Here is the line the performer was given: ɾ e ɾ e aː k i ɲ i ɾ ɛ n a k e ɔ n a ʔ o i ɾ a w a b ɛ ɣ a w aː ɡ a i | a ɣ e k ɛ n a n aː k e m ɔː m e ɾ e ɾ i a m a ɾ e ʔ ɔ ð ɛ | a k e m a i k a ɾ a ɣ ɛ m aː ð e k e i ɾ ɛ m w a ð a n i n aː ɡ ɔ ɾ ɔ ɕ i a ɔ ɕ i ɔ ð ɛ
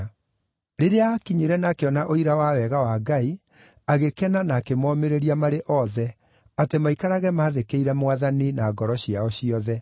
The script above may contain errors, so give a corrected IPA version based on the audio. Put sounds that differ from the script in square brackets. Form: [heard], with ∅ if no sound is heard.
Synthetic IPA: ɾ e ɾ e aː k i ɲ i ɾ ɛ n a k e ɔ n a ʔ o i ɾ a w a [w] ɛ ɣ a w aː ɡ a i | a ɣ e k ɛ n a n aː k e m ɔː m e ɾ e ɾ i a m a ɾ e ʔ ɔ ð ɛ | a [t] e m a i k a ɾ a ɣ ɛ m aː ð e k e i ɾ ɛ m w a ð a n i n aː ɡ ɔ ɾ ɔ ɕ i a ɔ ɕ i ɔ ð ɛ